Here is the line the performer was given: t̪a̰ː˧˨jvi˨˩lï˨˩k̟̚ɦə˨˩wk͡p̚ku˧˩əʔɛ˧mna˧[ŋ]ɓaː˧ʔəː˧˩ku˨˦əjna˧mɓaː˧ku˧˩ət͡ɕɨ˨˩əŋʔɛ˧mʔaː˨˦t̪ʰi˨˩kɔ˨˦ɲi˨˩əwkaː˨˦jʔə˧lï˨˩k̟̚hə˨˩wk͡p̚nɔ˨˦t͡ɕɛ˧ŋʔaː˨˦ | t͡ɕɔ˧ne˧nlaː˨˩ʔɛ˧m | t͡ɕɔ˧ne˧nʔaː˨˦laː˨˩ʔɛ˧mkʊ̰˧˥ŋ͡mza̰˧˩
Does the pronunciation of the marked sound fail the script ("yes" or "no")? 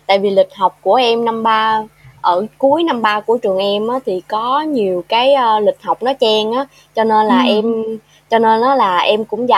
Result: yes